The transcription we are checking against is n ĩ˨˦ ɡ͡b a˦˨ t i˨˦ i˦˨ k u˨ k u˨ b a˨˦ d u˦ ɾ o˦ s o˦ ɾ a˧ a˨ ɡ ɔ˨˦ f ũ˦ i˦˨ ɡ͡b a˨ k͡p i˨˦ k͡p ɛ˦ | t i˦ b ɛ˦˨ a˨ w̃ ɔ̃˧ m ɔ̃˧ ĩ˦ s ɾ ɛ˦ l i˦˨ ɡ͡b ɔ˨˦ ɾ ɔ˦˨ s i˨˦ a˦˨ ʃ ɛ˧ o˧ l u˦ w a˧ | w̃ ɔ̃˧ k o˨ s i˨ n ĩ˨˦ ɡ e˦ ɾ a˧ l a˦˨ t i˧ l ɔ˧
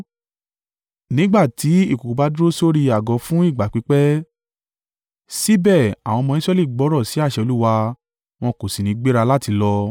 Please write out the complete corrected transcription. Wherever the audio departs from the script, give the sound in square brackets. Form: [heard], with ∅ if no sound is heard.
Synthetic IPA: n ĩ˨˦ ɡ͡b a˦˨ t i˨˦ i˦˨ k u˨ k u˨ b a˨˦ d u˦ ɾ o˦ s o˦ ɾ [i˧] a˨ ɡ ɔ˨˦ f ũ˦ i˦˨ ɡ͡b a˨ k͡p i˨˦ k͡p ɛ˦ | [s] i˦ b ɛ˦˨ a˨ w̃ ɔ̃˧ m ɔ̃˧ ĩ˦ s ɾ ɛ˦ l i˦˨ ɡ͡b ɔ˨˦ ɾ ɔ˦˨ s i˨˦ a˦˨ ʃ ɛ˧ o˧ l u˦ w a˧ | w̃ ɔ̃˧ k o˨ s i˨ n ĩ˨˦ [ɡ͡b] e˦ ɾ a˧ l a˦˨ t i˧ l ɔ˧